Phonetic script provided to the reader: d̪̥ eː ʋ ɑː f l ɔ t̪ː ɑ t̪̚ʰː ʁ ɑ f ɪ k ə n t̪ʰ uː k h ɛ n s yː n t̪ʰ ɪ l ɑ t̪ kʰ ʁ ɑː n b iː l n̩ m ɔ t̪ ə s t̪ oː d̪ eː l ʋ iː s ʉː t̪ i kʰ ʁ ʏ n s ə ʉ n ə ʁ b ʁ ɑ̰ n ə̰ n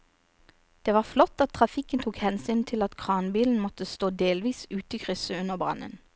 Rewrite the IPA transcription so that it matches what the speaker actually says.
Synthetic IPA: d̪̥ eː ʋ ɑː f l ɔ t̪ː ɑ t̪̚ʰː ʁ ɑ f ɪ k ə n t̪ʰ uː k h ɛ n s yː n t̪ʰ ɪ l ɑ t̪ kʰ ʁ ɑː n b iː l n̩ m ɔ t̪ ə s t̪ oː d̪ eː l ʋ iː s ʉː t̪ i kʰ ʁ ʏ s ə ʉ n ə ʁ b ʁ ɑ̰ n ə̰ n